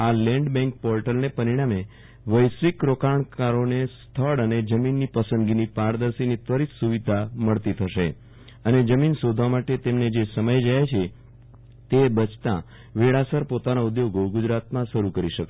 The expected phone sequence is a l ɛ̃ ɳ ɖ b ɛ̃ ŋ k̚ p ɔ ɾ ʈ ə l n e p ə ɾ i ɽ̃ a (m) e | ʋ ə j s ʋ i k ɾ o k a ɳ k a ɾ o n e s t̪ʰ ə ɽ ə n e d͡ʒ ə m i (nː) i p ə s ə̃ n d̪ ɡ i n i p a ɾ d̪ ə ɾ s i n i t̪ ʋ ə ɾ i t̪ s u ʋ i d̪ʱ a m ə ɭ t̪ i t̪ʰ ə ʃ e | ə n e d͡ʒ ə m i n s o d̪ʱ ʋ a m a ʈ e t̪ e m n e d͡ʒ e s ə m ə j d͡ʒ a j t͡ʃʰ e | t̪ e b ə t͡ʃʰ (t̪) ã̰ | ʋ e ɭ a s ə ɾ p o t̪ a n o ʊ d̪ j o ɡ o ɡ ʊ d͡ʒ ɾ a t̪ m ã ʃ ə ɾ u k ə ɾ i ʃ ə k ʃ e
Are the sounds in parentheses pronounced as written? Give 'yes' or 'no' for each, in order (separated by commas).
yes, yes, yes